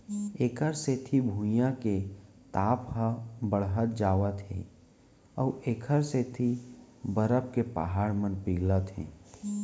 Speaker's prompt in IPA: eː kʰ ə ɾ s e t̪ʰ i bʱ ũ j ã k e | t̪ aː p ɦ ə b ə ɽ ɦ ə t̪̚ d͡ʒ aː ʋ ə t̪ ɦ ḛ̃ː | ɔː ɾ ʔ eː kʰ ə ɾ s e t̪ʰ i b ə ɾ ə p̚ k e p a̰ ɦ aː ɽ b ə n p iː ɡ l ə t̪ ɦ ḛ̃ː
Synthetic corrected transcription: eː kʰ ə ɾ s e t̪ʰ i bʱ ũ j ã k e | t̪ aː p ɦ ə b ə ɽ ɦ ə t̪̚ d͡ʒ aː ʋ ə t̪ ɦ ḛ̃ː | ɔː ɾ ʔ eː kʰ ə ɾ s e t̪ʰ i b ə ɾ ə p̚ k e p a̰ ɦ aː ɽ m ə n p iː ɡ l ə t̪ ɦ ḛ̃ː